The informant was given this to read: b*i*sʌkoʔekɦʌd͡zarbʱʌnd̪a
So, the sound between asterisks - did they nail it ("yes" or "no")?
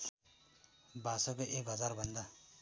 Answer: no